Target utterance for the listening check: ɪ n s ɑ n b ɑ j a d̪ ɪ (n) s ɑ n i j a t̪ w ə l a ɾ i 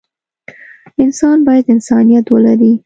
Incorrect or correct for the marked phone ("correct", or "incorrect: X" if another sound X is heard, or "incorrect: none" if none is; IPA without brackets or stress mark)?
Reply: correct